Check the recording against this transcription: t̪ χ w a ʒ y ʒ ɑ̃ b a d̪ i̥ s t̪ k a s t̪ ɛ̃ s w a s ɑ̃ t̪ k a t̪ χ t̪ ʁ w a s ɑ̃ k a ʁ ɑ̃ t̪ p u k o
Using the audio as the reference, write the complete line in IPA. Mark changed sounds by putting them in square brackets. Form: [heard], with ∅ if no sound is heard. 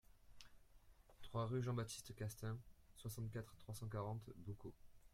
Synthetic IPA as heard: t̪ χ w a [ʁ] y ʒ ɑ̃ b a [t̪] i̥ s t̪ k a s t̪ ɛ̃ s w a s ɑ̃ t̪ k a t̪ χ t̪ [χ] w a s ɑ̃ k a ʁ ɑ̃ t̪ [b] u k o